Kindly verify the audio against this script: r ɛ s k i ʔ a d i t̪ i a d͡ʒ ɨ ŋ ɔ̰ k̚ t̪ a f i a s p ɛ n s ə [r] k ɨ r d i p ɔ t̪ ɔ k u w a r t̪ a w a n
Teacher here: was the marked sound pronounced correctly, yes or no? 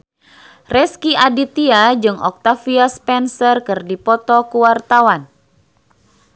yes